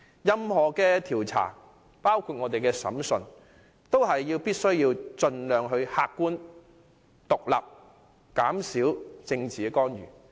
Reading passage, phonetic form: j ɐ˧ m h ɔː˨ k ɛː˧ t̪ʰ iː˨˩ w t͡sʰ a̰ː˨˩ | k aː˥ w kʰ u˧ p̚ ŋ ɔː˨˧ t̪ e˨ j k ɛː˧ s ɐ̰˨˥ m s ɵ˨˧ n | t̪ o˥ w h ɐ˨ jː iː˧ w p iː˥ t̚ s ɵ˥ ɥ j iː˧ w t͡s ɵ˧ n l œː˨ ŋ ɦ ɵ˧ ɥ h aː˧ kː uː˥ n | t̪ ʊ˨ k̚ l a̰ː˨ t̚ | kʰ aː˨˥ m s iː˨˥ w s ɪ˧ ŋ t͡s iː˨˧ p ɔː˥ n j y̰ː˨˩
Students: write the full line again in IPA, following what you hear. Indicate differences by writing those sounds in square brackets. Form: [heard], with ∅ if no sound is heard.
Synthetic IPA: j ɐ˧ m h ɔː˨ k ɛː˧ t̪ʰ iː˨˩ w t͡sʰ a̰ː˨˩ | [p] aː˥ w kʰ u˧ [t̚] ŋ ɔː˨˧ t̪ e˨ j k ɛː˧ s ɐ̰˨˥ m s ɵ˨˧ n | t̪ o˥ w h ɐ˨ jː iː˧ w p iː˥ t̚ s ɵ˥ ɥ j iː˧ w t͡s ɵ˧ n l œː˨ ŋ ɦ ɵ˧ ɥ h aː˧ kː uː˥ n | t̪ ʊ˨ k̚ l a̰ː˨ [p̚] | [k] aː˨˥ m s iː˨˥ w [t͡s] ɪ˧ ŋ t͡s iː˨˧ [k] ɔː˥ n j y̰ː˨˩

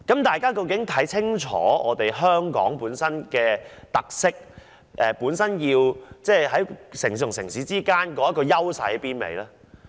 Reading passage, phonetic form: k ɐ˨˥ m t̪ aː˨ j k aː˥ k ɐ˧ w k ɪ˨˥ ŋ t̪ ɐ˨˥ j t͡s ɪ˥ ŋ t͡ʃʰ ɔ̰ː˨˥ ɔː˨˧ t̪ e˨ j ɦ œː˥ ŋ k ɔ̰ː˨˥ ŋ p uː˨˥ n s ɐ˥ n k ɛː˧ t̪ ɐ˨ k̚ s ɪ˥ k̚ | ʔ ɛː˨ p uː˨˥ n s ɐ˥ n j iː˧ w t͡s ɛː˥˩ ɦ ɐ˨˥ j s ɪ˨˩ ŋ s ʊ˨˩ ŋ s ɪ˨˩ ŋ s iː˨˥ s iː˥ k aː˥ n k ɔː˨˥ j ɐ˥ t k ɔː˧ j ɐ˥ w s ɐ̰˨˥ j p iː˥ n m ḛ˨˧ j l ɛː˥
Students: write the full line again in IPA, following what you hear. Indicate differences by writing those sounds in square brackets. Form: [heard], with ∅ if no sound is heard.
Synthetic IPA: k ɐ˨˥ m t̪ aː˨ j k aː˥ k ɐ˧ w k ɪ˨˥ ŋ [t̪ʰ] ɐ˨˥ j [t͡sʰ] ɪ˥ ŋ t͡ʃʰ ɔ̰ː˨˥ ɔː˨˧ t̪ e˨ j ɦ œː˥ ŋ k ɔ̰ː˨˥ ŋ p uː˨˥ n s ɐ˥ n k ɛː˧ t̪ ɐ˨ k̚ s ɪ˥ k̚ | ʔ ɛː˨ p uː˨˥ n s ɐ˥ n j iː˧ w t͡s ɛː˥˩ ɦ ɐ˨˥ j s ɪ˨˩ ŋ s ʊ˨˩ ŋ s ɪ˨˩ ŋ s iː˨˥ [t͡s] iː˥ k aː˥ n k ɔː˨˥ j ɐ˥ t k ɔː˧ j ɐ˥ w s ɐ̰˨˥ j p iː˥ n m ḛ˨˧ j l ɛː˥

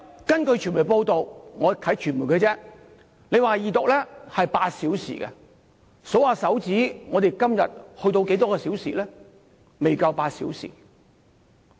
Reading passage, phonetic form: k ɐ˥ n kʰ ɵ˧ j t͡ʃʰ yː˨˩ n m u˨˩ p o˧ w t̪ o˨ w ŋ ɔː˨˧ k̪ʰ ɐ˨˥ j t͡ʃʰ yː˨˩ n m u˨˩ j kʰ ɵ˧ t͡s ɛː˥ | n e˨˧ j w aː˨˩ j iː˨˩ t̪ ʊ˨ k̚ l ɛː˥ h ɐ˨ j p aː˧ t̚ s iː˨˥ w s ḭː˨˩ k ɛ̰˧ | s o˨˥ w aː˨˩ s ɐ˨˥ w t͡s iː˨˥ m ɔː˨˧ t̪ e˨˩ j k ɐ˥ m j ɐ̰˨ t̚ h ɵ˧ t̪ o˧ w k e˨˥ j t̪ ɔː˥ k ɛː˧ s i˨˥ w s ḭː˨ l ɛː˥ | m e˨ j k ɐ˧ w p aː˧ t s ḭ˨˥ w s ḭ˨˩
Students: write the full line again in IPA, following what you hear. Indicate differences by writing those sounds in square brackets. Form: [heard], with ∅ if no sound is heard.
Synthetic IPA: k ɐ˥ n [k] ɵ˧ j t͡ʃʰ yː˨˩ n m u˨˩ p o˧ w t̪ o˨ w ŋ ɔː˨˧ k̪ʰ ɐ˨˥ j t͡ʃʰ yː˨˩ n m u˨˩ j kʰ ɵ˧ t͡s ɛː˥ | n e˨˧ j w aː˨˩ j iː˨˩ t̪ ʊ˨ k̚ l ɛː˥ h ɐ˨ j p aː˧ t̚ s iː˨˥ w s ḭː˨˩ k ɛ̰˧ | s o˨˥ w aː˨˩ s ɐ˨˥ w t͡s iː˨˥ [ŋ] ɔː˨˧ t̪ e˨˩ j k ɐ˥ m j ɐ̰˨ t̚ h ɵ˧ t̪ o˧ w k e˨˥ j t̪ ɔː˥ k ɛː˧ s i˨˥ w s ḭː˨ l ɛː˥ | m e˨ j k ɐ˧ w p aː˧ t s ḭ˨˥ w s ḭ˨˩

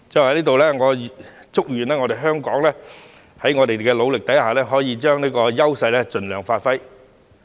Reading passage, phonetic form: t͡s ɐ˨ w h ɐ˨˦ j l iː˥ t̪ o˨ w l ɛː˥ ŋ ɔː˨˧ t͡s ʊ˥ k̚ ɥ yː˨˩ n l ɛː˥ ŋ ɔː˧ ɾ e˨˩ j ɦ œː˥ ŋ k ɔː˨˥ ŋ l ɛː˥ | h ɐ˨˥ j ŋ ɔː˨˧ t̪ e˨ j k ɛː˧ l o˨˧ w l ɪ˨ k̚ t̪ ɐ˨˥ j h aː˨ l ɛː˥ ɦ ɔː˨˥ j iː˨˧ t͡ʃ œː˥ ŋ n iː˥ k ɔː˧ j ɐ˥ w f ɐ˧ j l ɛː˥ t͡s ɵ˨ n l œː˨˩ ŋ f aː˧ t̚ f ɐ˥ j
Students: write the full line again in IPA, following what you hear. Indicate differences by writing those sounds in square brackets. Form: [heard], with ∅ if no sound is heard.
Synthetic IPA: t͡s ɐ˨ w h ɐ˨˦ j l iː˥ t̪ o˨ w l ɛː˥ ŋ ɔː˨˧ t͡s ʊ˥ k̚ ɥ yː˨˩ n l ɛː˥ ŋ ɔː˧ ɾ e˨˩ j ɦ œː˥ ŋ k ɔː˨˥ ŋ l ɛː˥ | h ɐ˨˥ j ŋ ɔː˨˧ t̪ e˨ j k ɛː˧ l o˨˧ w l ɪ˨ k̚ t̪ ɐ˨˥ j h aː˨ l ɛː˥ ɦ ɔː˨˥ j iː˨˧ t͡ʃ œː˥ ŋ n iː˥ k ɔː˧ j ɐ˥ w [s] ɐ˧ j l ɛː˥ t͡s ɵ˨ n l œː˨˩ ŋ f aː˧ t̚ f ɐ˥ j

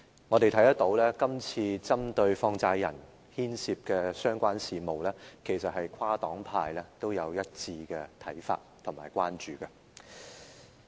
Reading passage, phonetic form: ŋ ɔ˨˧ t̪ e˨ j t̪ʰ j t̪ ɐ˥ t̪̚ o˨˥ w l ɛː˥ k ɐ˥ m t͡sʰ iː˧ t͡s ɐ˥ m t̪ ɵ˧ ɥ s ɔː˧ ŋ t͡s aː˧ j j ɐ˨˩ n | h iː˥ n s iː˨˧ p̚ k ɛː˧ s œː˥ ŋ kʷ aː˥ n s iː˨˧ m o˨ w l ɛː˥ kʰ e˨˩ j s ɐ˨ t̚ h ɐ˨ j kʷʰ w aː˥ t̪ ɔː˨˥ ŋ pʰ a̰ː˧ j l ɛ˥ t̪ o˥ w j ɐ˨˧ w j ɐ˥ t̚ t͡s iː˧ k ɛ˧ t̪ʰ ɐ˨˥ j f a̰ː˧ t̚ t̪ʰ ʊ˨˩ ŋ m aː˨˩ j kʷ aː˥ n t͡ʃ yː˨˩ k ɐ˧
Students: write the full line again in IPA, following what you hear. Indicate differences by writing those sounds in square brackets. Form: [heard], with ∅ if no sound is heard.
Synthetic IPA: ŋ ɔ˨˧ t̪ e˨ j t̪ʰ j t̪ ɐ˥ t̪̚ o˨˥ w l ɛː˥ k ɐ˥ m t͡sʰ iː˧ t͡s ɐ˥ m t̪ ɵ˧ ɥ [f] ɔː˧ ŋ t͡s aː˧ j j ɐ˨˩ n | h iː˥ n s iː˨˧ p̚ k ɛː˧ s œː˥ ŋ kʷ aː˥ n s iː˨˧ m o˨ w l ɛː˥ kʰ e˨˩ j s ɐ˨ t̚ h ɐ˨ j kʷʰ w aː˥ t̪ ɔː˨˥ ŋ pʰ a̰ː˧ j l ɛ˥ t̪ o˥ w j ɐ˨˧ w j ɐ˥ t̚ t͡s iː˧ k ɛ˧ t̪ʰ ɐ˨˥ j f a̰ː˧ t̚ t̪ʰ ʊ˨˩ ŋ m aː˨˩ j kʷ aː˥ n t͡ʃ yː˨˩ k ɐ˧

